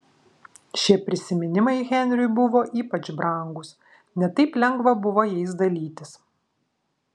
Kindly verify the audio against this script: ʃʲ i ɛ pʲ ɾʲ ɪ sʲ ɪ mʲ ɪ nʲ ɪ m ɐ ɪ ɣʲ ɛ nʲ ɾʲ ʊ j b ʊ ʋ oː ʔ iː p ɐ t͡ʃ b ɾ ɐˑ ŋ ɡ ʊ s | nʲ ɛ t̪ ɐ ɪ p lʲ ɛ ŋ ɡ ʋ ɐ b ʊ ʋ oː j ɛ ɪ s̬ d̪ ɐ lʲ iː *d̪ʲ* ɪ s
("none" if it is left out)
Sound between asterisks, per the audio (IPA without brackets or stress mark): t̪ʲ